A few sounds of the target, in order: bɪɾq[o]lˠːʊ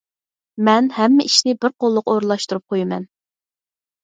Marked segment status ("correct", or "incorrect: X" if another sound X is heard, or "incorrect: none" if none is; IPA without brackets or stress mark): correct